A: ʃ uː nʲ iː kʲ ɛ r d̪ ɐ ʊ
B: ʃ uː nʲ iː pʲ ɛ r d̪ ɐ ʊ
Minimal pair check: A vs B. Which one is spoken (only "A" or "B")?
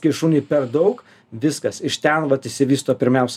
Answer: B